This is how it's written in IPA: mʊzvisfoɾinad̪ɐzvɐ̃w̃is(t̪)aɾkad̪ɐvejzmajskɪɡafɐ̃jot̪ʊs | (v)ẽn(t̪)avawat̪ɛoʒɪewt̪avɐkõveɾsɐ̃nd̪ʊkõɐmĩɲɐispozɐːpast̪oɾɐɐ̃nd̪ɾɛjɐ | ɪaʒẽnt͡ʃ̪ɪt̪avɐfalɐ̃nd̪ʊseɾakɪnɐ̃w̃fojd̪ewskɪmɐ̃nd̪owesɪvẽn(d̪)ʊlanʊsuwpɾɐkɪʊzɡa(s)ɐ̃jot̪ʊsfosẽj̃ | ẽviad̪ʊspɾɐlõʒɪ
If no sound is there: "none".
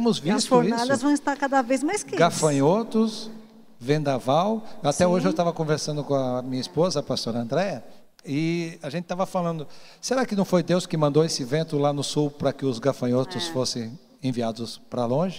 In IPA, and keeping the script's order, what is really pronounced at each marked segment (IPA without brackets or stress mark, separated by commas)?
t̪, v, d̪, t̪, f